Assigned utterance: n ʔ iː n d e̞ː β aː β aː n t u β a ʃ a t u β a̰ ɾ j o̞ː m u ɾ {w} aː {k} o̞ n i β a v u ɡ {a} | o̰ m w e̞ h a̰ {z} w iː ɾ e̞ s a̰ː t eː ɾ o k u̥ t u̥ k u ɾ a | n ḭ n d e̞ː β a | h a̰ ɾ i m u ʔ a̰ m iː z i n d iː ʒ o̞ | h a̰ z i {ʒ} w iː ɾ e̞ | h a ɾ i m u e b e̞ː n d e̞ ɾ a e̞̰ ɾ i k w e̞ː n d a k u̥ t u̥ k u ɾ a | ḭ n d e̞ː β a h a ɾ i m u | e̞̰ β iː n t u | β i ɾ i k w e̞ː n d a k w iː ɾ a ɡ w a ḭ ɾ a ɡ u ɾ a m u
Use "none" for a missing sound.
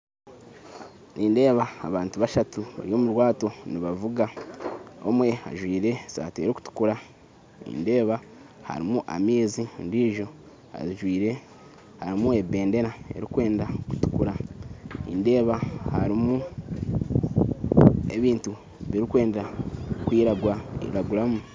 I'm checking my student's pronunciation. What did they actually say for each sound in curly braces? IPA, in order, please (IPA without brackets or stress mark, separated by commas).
w, t, a, ʒ, ʒ